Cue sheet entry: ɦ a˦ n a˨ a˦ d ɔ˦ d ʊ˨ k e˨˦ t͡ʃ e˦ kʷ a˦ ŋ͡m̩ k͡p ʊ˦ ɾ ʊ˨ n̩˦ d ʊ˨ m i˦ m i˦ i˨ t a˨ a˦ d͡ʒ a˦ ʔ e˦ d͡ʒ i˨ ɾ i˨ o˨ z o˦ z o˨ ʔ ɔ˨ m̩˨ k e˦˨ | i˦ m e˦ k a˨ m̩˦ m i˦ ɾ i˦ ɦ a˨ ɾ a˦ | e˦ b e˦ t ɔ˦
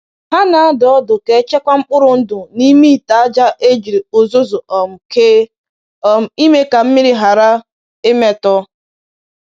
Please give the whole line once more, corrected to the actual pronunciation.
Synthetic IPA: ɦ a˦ n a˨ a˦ d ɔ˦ d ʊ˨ k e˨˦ t͡ʃ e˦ kʷ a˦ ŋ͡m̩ k͡p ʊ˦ ɾ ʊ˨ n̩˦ d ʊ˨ n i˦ m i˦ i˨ t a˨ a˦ d͡ʒ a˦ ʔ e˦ d͡ʒ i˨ ɾ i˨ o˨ z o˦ z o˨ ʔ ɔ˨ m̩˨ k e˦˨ | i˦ m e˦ k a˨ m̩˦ m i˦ ɾ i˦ ɦ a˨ ɾ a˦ | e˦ m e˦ t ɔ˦